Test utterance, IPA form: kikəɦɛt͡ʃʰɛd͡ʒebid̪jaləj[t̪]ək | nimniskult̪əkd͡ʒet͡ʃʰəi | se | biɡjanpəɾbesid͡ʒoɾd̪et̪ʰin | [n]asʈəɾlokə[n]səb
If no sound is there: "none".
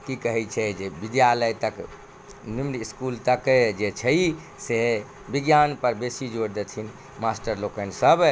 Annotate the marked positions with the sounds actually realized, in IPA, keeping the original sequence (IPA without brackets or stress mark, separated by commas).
t̪, m, n